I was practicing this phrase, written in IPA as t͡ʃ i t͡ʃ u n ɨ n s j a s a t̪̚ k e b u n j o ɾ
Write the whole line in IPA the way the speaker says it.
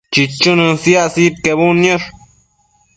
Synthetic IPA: t͡ʃ i t͡ʃ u n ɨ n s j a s i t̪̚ k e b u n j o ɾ